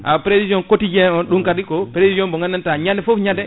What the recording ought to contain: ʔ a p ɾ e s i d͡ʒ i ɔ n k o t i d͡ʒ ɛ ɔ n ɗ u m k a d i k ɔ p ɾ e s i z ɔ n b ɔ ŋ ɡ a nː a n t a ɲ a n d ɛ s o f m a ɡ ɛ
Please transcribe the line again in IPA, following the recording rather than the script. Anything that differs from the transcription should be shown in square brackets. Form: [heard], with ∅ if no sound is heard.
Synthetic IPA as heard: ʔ a p ɾ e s i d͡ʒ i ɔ n k o t i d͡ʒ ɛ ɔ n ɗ u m k a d i k ɔ p ɾ e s i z ɔ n b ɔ ŋ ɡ a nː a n t a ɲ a n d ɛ [f] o f [ɲ] a [d] ɛ